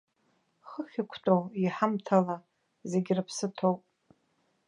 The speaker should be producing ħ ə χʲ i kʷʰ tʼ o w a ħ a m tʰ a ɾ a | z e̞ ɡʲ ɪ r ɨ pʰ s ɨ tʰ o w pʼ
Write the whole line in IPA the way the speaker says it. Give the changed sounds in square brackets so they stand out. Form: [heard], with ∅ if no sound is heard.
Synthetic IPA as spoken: [χ] ə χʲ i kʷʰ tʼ o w [i] ħ a m tʰ a [l] a | z e̞ ɡʲ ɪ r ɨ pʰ s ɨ tʰ o w pʼ